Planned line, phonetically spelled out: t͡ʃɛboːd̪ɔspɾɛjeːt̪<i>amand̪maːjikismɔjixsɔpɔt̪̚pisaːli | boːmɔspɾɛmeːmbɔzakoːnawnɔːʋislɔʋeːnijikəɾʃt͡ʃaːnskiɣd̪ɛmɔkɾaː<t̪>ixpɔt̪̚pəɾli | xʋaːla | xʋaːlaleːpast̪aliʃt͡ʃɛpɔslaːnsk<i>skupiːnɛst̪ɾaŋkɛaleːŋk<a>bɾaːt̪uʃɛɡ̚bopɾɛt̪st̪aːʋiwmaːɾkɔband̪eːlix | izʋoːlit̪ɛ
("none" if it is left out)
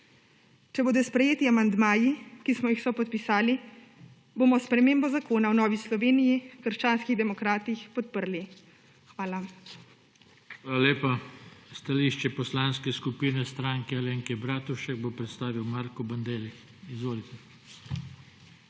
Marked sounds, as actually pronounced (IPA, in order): i, t̪, ɛ, ɛ

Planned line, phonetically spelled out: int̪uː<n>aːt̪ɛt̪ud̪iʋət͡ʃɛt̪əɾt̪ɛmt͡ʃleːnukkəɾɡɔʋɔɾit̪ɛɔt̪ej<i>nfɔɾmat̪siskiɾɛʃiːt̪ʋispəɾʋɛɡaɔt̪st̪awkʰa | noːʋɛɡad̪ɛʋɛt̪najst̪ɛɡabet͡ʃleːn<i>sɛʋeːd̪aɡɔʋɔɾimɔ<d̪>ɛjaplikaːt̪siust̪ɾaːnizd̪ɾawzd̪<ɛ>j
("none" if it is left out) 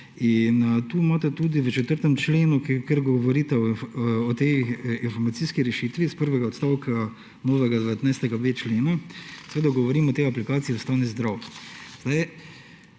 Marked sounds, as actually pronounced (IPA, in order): m, i, a, t̪, a

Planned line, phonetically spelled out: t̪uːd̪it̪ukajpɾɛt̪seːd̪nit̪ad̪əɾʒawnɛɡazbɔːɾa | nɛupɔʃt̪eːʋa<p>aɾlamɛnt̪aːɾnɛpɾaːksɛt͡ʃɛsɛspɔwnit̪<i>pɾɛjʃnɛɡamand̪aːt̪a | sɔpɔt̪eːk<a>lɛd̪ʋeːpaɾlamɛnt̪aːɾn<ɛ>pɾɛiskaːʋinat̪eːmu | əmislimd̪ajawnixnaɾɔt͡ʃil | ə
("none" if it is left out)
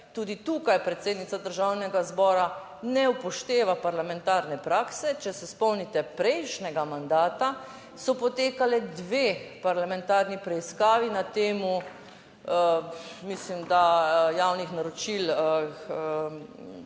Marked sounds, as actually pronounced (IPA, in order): p, ɛ, a, i

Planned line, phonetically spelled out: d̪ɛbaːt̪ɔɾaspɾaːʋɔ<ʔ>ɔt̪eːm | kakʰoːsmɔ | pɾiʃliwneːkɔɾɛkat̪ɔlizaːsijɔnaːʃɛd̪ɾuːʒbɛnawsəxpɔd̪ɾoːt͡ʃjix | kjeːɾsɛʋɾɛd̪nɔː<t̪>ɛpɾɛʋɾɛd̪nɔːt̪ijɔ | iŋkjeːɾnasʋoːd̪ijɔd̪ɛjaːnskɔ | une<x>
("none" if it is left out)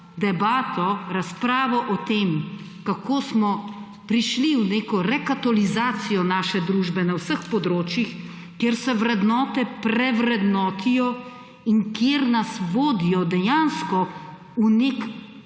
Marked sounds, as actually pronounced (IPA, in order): ʔ, t̪, k

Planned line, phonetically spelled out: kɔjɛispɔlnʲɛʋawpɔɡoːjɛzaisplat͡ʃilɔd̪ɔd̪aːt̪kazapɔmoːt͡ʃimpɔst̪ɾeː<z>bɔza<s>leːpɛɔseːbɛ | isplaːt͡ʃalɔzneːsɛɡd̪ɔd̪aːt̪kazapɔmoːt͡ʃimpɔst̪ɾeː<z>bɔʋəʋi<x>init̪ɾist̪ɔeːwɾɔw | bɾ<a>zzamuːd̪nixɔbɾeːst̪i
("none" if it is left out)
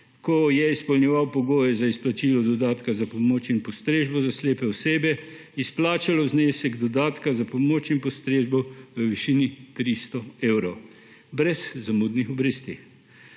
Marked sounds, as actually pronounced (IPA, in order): ʒ, s, ʒ, ʃ, ɛ

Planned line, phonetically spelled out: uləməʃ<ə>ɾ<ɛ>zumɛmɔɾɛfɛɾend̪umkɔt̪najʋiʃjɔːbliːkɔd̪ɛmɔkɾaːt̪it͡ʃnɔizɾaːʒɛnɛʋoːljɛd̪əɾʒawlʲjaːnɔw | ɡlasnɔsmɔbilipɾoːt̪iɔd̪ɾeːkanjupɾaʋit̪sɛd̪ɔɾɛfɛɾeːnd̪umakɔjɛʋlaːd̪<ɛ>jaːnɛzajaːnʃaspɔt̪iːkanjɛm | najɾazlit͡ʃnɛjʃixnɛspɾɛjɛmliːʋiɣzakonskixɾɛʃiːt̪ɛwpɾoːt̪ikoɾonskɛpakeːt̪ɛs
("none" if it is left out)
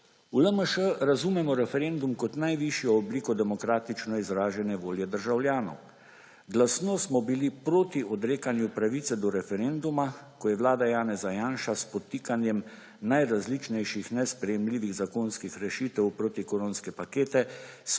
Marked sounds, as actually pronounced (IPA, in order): ə, a, a

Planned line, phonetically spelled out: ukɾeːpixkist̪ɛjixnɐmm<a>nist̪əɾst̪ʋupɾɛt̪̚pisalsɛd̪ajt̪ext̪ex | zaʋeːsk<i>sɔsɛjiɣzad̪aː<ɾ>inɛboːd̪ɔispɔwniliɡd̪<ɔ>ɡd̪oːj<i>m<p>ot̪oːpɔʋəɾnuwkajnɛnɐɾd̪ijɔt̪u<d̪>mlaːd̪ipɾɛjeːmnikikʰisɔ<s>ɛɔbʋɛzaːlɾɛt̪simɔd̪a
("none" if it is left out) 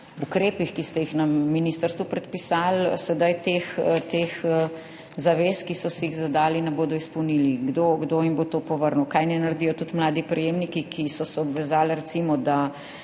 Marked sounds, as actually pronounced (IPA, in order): i, i, l, o, i, b, t̪, s

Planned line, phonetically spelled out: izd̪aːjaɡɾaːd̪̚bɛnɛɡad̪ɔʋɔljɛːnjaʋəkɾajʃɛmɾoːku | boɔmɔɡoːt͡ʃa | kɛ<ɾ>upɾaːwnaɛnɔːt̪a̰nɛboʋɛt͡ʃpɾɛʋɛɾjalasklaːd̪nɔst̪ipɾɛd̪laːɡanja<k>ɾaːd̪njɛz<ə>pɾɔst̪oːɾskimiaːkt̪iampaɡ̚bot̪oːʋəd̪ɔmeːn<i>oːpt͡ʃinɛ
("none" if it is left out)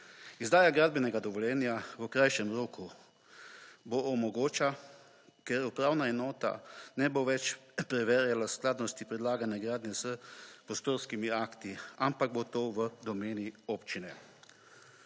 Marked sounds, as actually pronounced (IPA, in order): ɾ, ɡ, ə, i

